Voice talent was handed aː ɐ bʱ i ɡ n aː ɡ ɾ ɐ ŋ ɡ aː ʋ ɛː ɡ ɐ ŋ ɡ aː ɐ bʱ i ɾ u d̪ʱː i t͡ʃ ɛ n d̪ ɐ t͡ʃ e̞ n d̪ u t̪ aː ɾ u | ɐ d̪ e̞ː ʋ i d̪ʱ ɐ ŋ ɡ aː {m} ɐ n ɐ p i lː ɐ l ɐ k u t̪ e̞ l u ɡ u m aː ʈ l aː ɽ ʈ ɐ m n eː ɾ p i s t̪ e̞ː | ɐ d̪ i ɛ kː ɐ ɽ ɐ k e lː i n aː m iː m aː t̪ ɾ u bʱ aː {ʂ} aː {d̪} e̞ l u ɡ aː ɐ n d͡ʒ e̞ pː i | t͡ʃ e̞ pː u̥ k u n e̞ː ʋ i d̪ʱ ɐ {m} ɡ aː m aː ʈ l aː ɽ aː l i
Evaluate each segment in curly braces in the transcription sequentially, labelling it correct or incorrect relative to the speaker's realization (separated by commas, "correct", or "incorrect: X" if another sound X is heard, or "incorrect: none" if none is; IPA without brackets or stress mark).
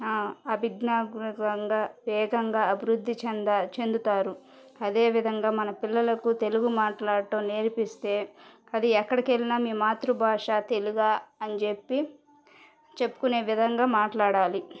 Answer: correct, correct, incorrect: t̪, incorrect: ŋ